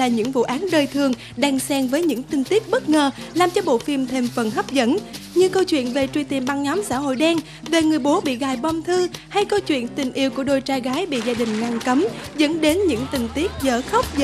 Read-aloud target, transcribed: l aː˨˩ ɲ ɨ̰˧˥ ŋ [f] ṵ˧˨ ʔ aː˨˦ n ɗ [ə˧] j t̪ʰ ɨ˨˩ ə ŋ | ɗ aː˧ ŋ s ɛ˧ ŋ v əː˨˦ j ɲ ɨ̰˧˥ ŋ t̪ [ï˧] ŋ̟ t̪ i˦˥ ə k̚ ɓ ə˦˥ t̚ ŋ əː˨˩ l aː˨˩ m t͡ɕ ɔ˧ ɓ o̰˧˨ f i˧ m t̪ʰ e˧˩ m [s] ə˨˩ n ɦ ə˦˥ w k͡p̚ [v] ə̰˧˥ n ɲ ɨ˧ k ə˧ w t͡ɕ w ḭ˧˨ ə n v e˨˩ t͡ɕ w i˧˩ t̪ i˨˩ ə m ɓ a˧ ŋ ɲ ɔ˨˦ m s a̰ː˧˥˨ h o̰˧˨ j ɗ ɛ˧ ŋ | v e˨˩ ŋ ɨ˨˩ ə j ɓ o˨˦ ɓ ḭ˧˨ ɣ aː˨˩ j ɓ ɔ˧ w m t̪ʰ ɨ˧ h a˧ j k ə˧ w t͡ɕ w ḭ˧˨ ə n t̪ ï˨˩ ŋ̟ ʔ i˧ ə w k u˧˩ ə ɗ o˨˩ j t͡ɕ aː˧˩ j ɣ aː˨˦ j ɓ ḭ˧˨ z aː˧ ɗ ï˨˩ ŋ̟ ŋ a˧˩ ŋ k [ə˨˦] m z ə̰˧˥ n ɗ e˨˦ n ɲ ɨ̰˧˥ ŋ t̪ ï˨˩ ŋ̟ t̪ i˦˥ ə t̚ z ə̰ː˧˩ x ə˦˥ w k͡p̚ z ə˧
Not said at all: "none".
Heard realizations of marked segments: v, əː˧, ï˧, f, z, ə˨˦

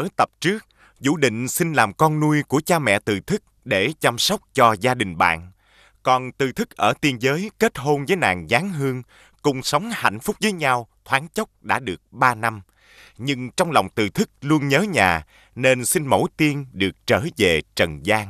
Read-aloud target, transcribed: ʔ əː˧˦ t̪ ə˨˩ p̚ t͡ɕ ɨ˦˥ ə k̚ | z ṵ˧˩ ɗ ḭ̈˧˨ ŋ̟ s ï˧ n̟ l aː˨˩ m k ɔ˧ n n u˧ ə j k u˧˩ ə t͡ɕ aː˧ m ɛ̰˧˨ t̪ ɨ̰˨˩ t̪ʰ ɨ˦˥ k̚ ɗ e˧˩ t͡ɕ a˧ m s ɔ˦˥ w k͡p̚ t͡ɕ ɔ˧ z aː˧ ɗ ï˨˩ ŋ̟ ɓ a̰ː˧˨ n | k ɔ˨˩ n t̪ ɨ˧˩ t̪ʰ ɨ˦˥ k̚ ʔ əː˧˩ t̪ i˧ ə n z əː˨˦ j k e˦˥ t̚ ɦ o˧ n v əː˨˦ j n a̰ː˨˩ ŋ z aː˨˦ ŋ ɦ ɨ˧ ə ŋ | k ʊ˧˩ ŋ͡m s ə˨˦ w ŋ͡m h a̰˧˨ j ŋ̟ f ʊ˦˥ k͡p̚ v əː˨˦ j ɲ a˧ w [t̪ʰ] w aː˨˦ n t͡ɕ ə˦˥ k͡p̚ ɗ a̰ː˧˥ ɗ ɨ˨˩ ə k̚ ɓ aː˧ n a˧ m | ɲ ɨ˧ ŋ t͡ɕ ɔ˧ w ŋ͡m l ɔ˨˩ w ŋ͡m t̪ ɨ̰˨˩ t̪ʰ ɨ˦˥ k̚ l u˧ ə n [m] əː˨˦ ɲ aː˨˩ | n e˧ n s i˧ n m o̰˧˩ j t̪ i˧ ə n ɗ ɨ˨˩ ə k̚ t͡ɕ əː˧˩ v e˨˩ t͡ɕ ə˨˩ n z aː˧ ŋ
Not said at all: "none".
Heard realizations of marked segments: t̪ʰ, ɲ

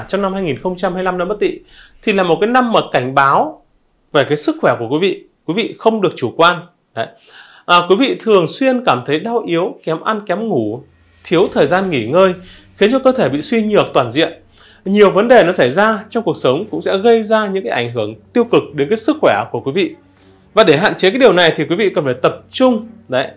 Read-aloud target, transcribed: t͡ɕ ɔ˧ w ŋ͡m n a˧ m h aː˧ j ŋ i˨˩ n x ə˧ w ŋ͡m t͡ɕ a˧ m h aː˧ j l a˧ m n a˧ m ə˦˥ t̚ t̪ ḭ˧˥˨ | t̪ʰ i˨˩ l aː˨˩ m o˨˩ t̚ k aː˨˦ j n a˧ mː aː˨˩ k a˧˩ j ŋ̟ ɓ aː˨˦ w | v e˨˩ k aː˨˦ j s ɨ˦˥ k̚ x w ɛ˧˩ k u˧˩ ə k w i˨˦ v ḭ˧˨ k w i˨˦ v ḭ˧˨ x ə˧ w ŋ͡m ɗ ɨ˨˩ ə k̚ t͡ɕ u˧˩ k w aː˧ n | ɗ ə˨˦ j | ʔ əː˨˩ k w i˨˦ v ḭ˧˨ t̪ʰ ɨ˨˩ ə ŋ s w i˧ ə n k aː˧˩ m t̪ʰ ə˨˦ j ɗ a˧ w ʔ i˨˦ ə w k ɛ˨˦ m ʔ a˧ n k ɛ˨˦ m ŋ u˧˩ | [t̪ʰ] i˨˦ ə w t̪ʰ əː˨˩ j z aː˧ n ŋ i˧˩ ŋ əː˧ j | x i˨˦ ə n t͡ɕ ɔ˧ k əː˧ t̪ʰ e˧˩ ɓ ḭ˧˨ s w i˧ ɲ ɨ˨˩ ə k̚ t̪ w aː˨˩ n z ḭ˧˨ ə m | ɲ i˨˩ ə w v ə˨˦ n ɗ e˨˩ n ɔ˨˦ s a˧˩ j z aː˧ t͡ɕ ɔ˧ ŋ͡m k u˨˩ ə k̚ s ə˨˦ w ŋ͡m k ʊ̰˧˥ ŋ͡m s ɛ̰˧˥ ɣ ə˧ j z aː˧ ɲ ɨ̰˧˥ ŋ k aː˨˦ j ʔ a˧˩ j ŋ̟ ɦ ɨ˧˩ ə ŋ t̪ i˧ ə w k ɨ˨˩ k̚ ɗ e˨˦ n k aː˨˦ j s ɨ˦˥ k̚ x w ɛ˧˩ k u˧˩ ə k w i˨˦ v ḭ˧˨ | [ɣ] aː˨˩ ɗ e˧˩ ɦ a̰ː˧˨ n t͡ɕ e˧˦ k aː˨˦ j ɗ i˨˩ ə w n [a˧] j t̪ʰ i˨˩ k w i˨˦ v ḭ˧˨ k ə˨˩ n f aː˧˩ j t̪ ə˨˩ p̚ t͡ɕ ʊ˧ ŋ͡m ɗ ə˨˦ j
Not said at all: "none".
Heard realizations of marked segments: t̪ʰ, v, a˨˩

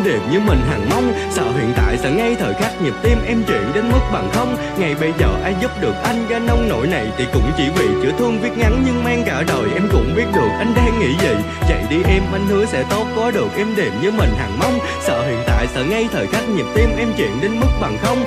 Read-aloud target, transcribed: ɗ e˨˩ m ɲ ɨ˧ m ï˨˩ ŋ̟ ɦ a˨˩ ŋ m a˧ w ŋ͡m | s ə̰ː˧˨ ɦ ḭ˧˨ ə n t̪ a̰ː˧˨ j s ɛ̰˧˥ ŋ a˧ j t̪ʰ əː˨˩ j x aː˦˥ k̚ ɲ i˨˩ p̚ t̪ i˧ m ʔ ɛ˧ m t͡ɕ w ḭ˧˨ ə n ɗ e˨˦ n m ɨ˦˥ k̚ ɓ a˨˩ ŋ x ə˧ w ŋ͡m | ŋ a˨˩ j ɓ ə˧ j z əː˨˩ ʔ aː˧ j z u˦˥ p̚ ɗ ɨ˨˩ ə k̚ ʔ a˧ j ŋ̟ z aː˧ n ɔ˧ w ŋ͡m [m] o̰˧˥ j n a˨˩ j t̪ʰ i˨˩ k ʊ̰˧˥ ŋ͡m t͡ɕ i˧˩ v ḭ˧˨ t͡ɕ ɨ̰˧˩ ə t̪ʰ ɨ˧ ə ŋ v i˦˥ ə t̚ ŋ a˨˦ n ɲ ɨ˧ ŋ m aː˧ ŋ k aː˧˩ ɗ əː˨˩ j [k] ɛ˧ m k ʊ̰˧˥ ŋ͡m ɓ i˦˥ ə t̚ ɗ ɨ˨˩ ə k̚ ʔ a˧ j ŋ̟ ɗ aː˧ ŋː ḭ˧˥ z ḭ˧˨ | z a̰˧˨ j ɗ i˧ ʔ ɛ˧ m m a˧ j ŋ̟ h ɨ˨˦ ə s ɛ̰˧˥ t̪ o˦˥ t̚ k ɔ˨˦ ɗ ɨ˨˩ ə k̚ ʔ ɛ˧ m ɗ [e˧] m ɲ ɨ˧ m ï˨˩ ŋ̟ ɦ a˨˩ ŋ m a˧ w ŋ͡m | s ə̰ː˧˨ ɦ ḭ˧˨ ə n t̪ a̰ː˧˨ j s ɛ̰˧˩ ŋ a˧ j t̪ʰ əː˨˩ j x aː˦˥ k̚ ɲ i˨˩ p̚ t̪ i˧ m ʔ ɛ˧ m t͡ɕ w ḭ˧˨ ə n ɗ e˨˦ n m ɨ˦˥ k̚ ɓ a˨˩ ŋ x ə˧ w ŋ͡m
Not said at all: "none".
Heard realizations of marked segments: n, ʔ, e˨˩

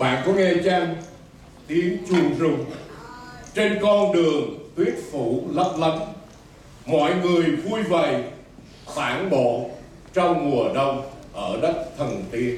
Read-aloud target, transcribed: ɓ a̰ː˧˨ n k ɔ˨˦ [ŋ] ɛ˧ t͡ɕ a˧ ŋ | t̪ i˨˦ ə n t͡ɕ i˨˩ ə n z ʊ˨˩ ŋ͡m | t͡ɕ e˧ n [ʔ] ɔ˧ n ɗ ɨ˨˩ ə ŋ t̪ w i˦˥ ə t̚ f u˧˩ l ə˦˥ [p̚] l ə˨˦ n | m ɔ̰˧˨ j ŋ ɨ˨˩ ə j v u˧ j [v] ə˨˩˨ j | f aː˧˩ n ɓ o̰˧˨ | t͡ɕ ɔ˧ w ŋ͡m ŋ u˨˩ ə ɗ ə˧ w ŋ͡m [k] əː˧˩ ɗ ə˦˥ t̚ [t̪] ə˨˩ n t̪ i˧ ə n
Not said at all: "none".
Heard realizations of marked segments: ŋ, k, p̚, v, ʔ, t̪ʰ

